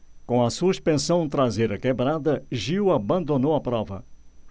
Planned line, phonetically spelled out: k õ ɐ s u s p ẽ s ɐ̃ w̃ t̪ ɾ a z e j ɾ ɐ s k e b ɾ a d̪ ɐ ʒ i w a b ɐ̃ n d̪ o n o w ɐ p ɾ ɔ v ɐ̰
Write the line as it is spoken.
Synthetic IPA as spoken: k õ ɐ s u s p ẽ s ɐ̃ w̃ t̪ ɾ a z e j ɾ ɐ k e b ɾ a d̪ ɐ ʒ i w a b ɐ̃ n d̪ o n o w ɐ p ɾ ɔ v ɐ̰